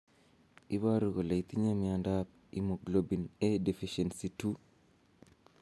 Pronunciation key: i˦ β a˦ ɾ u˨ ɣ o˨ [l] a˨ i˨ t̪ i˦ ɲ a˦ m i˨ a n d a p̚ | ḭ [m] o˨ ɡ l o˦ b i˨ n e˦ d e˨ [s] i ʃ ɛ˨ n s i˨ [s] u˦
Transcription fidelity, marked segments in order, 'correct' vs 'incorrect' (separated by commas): correct, correct, incorrect, incorrect